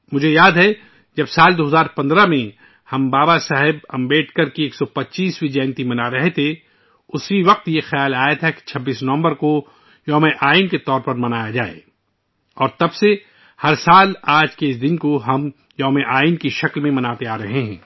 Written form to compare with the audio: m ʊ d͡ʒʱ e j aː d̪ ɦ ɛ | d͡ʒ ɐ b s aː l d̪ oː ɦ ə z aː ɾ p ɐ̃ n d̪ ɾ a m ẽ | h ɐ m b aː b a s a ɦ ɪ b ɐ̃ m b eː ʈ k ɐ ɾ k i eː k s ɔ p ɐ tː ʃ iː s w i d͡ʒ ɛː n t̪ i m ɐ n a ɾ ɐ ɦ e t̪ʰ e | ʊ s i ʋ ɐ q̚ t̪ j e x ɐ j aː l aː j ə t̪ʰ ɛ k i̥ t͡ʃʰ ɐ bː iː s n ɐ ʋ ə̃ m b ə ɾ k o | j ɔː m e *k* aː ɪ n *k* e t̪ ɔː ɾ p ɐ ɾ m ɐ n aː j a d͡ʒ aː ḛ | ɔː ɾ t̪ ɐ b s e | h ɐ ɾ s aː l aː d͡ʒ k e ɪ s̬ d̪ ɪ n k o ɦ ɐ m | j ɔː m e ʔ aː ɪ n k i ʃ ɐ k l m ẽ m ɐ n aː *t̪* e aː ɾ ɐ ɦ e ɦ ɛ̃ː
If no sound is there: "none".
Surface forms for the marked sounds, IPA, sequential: ʔ, k, t̪

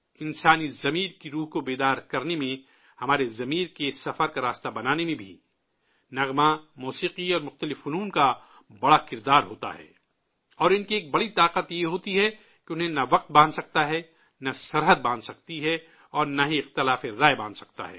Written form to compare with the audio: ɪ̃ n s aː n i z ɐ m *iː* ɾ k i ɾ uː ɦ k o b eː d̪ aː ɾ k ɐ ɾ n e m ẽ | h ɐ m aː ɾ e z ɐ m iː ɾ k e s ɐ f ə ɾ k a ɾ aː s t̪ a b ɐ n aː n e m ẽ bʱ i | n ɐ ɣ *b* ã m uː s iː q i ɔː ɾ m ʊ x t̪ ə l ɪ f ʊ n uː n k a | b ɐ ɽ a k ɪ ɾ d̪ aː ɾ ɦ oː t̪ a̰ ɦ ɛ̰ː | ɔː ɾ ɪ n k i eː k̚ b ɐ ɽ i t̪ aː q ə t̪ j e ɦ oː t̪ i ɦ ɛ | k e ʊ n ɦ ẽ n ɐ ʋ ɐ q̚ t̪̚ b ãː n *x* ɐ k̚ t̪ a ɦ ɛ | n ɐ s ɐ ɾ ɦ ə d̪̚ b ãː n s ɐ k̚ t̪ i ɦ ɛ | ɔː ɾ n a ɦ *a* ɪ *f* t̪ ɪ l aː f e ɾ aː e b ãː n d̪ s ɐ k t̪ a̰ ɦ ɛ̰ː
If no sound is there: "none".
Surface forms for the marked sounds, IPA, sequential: iː, m, s, i, x

